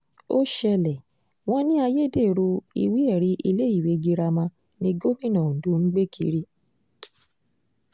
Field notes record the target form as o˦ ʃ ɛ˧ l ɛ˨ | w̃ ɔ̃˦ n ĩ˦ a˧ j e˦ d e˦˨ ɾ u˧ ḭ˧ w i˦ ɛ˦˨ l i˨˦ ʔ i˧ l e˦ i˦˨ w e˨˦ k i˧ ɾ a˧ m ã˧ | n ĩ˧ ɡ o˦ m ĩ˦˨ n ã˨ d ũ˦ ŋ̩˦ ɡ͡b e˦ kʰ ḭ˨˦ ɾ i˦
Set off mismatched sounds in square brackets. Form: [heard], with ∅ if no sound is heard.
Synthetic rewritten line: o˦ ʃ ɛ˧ l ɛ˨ | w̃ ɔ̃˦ n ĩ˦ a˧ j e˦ d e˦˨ ɾ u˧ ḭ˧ w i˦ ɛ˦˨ [ɾ] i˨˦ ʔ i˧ l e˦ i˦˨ w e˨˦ [ɡ] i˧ ɾ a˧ m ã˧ | n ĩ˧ ɡ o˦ m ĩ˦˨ n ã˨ d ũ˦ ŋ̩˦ ɡ͡b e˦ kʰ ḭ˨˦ ɾ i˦